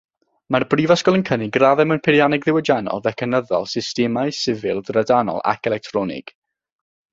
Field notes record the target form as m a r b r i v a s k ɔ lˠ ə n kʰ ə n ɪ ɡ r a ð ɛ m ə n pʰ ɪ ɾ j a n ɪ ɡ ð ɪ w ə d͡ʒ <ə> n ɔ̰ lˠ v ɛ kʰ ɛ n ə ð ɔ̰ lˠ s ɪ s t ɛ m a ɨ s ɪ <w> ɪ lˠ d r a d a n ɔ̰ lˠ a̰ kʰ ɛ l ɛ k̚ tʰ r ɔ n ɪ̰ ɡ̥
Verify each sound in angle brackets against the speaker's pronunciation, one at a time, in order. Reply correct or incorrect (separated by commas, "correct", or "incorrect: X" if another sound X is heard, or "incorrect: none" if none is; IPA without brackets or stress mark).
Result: incorrect: a, incorrect: v